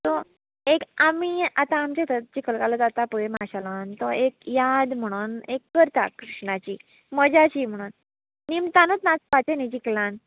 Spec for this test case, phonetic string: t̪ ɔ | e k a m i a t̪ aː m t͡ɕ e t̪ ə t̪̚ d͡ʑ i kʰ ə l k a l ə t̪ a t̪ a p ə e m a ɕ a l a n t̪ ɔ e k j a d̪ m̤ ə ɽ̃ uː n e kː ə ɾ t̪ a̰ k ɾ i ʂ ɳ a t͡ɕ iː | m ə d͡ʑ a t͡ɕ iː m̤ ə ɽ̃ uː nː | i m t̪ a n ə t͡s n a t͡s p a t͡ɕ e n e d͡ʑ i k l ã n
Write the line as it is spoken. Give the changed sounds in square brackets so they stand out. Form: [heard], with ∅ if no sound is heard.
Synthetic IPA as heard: t̪ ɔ | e k a m i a t̪ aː m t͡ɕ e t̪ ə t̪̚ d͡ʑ i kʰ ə l k a l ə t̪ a t̪ a p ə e m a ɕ a l a n t̪ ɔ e k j a d̪ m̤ ə ɽ̃ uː n e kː ə ɾ t̪ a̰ k ɾ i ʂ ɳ a t͡ɕ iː | m ə d͡ʑ a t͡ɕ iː m̤ ə ɽ̃ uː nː | i m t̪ a n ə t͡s n a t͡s p a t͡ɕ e n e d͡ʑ i k l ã n